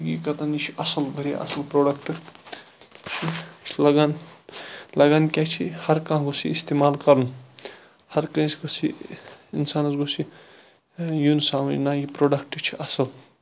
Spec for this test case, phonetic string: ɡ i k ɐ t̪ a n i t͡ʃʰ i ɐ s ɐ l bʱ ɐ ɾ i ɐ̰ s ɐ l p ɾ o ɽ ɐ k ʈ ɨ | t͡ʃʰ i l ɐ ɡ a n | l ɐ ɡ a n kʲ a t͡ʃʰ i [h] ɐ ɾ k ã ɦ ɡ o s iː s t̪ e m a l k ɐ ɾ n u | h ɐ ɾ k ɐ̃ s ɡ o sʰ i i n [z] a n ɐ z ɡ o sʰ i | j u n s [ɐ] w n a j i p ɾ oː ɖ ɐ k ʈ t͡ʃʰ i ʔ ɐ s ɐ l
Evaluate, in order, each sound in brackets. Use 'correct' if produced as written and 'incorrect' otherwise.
correct, incorrect: s, incorrect: a

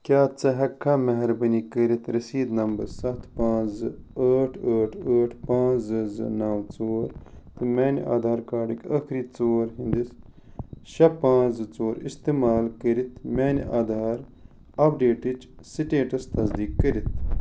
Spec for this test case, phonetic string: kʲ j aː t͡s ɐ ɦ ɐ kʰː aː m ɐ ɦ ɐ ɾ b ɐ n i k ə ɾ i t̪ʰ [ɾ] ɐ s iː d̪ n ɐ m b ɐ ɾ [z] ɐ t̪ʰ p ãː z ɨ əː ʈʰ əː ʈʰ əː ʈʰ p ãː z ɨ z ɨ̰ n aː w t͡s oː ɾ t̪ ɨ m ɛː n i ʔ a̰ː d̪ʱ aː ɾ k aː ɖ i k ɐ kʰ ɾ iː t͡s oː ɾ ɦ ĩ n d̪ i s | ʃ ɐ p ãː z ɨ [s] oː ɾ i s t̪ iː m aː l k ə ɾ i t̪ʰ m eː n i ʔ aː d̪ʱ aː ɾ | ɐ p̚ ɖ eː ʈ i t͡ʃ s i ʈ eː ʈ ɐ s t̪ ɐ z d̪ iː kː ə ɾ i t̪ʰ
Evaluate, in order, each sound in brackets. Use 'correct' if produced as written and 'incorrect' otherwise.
correct, incorrect: s, incorrect: t͡s

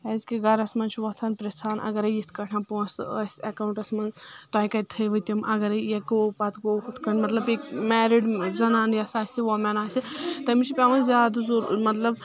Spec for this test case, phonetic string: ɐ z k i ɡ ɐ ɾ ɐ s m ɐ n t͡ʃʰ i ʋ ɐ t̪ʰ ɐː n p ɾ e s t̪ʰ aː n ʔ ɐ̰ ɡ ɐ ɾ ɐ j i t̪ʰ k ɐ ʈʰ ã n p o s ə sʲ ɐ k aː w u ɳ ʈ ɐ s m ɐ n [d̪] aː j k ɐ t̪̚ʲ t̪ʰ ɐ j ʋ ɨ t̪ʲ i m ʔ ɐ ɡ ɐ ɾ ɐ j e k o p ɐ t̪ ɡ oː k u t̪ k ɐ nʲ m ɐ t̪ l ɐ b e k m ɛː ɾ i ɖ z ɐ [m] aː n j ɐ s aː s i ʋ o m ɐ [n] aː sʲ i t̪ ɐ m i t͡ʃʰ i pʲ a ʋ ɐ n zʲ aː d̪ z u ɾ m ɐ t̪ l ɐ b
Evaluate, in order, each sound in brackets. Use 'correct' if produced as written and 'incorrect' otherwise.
incorrect: t̪, incorrect: n, correct

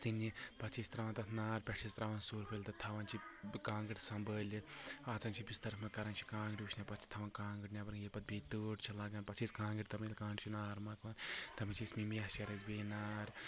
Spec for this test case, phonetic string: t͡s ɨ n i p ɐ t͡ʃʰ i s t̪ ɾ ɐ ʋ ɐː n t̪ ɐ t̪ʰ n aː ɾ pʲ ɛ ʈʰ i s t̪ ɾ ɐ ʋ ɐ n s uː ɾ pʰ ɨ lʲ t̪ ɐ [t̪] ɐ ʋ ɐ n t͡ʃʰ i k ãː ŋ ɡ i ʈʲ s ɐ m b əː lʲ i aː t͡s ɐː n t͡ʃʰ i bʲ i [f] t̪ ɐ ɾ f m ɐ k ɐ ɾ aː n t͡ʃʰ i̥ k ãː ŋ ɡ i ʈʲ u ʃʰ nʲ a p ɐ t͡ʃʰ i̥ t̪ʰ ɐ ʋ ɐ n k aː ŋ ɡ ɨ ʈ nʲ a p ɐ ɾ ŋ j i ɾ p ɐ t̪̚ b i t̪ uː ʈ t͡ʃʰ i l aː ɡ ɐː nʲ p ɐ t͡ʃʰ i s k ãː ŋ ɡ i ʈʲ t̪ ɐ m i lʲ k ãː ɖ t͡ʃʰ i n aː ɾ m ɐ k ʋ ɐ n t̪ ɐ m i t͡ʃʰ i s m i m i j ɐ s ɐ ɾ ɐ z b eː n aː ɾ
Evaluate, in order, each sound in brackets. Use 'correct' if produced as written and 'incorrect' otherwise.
incorrect: t̪ʰ, incorrect: s

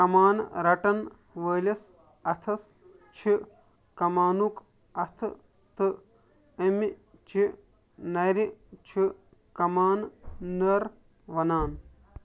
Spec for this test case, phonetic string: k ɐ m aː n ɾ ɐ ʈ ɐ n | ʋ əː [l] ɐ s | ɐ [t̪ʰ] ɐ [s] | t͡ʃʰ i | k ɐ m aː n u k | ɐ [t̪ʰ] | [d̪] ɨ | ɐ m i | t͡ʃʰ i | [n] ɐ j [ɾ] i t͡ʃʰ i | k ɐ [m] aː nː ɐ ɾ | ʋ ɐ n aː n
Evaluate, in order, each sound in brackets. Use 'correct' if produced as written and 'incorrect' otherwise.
correct, correct, correct, correct, incorrect: t̪, correct, correct, correct

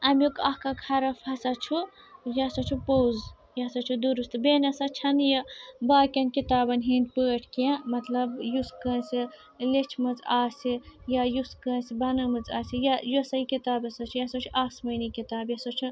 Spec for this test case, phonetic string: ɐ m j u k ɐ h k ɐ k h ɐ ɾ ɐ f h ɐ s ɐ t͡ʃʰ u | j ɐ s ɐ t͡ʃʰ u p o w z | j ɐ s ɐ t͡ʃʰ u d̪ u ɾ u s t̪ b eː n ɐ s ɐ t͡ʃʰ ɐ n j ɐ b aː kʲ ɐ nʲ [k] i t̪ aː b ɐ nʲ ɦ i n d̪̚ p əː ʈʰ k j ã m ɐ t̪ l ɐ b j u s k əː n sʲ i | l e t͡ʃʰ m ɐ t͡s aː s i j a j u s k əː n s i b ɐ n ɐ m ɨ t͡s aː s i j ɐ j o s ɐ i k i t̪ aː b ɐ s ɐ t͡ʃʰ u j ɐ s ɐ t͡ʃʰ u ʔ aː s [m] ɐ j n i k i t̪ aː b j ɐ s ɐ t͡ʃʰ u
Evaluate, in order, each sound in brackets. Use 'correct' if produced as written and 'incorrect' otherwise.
correct, correct

